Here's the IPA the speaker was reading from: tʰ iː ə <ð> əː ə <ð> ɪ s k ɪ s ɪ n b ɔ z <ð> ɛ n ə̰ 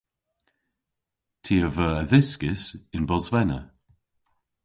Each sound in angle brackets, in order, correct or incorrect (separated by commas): incorrect, correct, incorrect